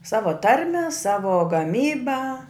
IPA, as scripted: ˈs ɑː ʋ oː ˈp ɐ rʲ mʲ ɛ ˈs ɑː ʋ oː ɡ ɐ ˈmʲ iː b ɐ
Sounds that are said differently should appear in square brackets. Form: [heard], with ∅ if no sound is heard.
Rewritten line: ˈs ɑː ʋ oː [ˈt] ɐ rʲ mʲ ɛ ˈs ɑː ʋ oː ɡ ɐ ˈmʲ iː b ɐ